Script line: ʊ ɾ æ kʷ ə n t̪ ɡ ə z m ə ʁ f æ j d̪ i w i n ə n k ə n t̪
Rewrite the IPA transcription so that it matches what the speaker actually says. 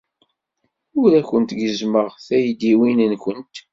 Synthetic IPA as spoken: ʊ ɾ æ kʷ ə n t̪ ɡ ə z m ə ʁ θ æ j d̪ i w i n ə n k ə n t̪